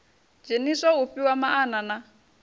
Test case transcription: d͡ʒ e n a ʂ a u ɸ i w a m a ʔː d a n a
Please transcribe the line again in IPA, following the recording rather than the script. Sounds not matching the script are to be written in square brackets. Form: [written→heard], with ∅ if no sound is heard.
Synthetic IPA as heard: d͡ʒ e n [a→i] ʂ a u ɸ i w a m a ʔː [d→n] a n a

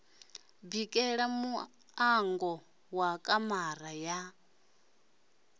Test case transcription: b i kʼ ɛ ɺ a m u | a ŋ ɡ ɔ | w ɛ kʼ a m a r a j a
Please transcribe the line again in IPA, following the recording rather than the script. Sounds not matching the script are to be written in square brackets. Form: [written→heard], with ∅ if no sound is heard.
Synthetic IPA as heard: b i kʼ ɛ ɺ a m u | a ŋ ɡ ɔ | w [ɛ→a] kʼ a m a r a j a

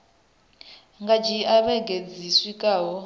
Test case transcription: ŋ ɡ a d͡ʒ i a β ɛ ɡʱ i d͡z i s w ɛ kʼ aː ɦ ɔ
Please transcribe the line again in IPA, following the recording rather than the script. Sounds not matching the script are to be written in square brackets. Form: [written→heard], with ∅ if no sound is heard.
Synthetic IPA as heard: ŋ ɡ a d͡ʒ i a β ɛ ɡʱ [i→e] d͡z i s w [ɛ→i] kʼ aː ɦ ɔ

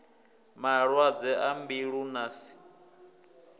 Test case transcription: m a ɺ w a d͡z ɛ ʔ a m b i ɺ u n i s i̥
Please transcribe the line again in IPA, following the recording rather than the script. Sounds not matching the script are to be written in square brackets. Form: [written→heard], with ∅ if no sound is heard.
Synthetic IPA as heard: m a ɺ w a d͡z ɛ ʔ a m b i ɺ u n [i→a] s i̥

